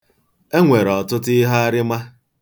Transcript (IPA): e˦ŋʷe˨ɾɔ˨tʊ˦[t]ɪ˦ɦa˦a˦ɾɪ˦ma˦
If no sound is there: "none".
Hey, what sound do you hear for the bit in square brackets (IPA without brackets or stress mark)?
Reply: t